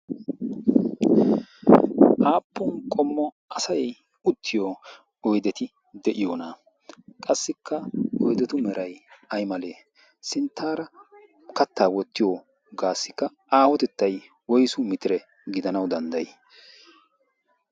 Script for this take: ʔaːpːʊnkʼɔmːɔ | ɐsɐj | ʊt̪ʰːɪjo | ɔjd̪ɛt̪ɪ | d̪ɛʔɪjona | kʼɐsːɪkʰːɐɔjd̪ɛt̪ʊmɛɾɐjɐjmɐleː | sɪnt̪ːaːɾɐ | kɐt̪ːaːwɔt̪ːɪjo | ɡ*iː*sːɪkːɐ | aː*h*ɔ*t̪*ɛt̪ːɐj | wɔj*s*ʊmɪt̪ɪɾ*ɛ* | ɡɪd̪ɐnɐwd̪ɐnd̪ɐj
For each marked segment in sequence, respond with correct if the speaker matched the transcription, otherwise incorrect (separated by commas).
incorrect, correct, correct, correct, correct